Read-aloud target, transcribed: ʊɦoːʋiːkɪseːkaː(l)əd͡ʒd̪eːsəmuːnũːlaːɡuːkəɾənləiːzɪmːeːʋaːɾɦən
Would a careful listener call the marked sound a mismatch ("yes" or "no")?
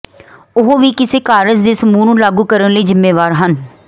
yes